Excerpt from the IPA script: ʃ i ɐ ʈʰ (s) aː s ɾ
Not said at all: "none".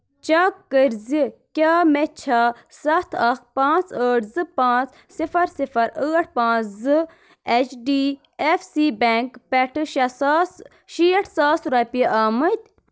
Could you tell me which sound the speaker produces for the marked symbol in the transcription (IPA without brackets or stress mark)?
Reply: s